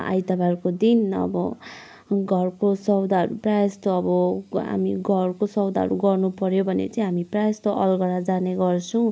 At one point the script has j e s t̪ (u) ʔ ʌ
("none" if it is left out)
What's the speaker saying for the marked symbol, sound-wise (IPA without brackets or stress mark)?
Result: o